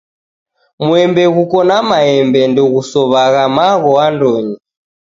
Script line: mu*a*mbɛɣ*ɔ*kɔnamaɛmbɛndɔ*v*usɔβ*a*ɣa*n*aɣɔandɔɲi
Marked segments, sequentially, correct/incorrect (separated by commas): incorrect, incorrect, incorrect, correct, incorrect